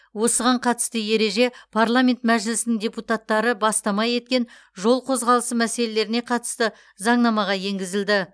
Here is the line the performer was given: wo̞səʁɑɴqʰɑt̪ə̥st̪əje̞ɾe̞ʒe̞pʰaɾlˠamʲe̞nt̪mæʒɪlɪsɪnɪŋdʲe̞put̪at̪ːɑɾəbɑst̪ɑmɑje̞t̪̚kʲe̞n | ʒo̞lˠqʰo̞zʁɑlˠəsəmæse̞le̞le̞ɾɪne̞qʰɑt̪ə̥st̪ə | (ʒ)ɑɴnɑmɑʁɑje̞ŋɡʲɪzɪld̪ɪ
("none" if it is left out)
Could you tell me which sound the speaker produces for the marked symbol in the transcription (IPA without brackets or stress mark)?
z